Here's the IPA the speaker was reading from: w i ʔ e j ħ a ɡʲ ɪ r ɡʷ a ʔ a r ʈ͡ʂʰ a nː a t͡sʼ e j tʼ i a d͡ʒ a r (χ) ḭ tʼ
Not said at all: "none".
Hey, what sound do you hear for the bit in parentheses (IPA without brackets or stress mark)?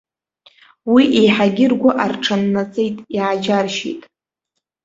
ʃ